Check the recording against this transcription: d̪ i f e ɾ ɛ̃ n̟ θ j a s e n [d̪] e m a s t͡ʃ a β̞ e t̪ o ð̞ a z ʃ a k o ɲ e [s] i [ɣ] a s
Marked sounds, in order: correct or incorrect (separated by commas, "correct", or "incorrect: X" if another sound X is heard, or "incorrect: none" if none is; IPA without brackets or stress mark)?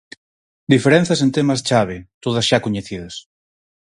incorrect: t̪, incorrect: θ, incorrect: ð